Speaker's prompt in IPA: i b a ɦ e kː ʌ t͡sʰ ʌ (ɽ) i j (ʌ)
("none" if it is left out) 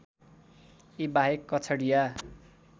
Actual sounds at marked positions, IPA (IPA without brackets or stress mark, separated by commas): ɽ, a